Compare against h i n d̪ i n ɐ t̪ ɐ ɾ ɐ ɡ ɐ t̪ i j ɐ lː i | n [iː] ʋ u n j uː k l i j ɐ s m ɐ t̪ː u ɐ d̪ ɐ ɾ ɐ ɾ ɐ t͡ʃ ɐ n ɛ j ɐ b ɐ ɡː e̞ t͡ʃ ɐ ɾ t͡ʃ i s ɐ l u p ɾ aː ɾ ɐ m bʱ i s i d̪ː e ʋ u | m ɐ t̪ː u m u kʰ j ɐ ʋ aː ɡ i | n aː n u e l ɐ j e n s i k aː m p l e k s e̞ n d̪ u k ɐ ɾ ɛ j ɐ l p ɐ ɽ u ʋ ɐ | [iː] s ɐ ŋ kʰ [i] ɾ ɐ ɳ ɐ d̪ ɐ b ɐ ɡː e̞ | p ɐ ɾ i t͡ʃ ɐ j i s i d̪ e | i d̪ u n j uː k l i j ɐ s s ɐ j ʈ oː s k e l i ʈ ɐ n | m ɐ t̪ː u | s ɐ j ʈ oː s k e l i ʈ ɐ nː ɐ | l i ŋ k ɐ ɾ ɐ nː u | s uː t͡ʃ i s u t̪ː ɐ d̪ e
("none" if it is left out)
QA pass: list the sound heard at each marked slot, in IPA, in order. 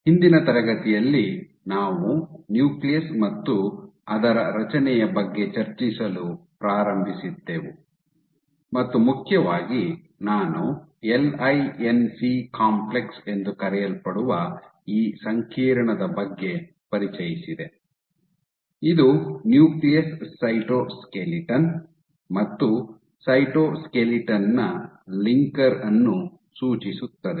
aː, iː, iː

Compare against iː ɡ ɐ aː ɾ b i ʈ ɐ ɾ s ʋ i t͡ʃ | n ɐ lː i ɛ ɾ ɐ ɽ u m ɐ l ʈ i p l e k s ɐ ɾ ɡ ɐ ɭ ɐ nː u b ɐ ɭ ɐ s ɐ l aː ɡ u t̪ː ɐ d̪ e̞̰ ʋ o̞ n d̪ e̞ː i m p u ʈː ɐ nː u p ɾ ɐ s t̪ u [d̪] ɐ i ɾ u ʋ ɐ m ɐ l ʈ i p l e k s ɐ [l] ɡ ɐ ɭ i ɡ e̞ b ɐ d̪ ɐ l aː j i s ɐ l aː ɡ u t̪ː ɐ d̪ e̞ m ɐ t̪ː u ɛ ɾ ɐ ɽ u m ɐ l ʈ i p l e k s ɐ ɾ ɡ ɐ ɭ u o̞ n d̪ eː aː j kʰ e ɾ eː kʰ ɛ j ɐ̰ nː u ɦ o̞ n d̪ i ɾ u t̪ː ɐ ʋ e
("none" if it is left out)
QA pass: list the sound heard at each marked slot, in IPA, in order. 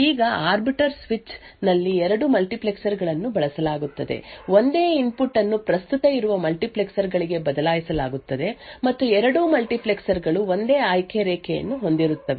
t̪, ɾ

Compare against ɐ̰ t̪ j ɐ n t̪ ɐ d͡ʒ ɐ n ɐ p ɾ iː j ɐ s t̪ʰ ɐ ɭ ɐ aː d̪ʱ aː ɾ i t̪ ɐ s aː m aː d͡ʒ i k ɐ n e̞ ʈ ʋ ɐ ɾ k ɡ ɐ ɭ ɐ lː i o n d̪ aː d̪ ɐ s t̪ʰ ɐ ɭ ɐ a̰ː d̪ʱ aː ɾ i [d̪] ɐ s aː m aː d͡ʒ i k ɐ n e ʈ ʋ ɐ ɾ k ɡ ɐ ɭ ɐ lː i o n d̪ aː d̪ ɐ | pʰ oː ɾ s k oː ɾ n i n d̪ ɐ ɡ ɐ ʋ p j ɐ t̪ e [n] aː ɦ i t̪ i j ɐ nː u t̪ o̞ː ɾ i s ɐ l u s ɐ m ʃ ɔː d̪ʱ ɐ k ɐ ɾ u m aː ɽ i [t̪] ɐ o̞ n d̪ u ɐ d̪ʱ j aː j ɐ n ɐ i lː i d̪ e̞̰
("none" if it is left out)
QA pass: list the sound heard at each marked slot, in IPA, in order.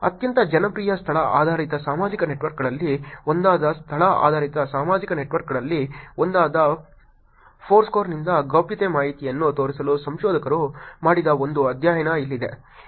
t̪, m, d̪

